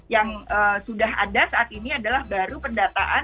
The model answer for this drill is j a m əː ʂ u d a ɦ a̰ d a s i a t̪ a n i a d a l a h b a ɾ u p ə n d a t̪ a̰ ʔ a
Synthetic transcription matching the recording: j a ŋ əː s u d a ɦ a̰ d a s a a t̪ i n i a d a l a h b a ɾ u p ə n d a t̪ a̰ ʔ a